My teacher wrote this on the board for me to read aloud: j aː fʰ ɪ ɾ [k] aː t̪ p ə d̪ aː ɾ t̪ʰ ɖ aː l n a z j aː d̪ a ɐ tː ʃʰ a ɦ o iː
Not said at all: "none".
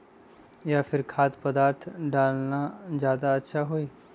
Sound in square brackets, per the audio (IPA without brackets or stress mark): kʰ